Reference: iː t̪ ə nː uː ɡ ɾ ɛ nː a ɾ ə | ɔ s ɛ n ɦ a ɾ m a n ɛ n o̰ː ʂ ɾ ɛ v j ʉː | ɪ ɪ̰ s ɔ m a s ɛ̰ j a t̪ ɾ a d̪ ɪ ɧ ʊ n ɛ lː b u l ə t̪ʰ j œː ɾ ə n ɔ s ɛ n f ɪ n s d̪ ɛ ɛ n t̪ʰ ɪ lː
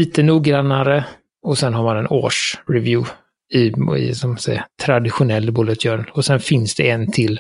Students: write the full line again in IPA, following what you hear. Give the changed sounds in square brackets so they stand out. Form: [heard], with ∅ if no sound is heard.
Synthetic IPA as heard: iː t̪ ə [n] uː ɡ ɾ [a] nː a ɾ ə | ɔ s ɛ n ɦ a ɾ m a n ɛ n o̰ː ʂ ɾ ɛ v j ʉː | ɪ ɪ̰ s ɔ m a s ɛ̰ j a [t̪ʰ] ɾ a d̪ ɪ ɧ ʊ n ɛ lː b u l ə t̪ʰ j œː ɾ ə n ɔ s ɛ n f ɪ n s d̪ ɛ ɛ n t̪ʰ ɪ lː